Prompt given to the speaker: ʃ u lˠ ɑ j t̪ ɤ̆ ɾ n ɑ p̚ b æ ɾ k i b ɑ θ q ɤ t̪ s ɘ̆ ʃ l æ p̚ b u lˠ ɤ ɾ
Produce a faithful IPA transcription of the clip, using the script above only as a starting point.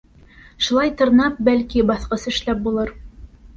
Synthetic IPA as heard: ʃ u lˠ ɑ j t̪ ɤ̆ ɾ n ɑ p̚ b æ l k i b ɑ θ q ɤ s ɘ̆ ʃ l æ p̚ b u lˠ ɤ ɾ